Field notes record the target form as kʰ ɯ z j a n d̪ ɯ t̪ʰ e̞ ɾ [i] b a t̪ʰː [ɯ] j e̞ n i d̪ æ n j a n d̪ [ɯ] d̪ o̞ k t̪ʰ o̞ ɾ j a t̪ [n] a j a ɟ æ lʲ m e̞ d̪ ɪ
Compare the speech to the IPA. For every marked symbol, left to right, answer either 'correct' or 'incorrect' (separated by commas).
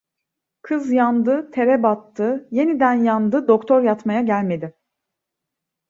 incorrect, correct, correct, incorrect